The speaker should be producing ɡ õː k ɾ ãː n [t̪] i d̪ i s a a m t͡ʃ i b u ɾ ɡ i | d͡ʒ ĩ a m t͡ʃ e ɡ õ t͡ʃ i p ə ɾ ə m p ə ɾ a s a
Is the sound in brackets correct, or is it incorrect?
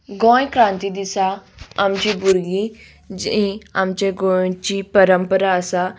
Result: correct